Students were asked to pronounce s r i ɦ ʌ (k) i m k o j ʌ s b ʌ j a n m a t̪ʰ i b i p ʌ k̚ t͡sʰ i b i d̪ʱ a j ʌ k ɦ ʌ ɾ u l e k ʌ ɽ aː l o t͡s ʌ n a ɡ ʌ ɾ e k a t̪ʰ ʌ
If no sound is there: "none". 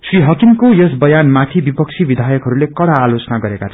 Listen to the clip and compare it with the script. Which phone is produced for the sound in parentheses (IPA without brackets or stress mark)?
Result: k